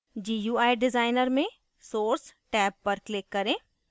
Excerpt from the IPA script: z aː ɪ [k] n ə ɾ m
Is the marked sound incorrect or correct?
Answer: incorrect